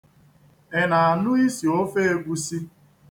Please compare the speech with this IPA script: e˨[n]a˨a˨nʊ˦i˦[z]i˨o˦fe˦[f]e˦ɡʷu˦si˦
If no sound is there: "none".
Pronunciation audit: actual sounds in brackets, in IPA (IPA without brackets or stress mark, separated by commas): n, s, none